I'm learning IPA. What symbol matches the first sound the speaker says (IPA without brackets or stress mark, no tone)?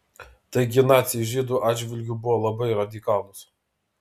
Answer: t̪